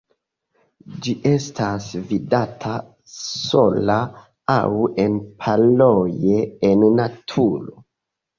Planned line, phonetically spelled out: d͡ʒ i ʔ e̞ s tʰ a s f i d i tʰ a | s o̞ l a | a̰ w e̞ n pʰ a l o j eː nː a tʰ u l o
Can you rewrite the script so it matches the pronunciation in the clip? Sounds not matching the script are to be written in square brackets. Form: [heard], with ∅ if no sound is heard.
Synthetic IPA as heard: d͡ʒ i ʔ e̞ s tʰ a s [v] i d [a] tʰ a | s o̞ l a | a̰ w e̞ n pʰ a l o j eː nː a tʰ u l o